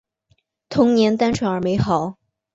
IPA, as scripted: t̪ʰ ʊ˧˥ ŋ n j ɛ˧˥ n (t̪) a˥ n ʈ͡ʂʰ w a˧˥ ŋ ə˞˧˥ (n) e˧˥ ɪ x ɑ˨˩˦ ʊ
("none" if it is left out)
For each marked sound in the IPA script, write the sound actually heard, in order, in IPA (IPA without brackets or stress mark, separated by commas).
t̪, m